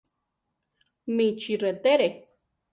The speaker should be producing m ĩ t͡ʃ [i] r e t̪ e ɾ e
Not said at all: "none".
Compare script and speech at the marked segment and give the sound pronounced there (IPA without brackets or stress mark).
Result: i